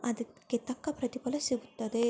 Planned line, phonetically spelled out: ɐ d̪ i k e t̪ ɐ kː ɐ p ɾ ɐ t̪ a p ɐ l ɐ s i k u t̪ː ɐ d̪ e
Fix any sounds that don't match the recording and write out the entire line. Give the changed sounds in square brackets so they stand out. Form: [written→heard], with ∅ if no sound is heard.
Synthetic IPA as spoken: ɐ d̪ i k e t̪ ɐ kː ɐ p ɾ ɐ t̪ [a→i] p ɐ l ɐ s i [k→ɡ] u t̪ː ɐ d̪ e